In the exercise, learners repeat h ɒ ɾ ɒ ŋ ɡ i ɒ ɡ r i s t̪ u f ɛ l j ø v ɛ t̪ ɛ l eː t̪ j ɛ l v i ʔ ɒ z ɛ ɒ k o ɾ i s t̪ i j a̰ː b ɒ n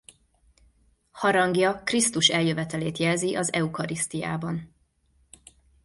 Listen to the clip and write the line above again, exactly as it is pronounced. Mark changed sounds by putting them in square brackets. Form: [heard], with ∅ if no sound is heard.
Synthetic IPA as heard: h ɒ ɾ ɒ ŋ ɡ [j] ɒ [k] r i s t̪ u [ʃ] ɛ l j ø v ɛ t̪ ɛ l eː t̪ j ɛ l [z] i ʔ ɒ z ɛ [u] k [ɒ] ɾ i s t̪ i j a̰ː b ɒ n